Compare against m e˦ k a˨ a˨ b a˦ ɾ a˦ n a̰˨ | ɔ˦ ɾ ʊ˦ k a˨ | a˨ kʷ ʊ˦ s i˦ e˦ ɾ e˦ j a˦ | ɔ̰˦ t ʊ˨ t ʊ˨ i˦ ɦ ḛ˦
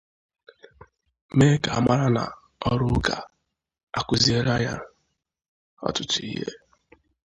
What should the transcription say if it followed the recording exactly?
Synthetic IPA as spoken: m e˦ k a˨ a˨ m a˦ ɾ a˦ n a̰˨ | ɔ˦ ɾ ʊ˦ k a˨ | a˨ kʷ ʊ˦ z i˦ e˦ ɾ a˦ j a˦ | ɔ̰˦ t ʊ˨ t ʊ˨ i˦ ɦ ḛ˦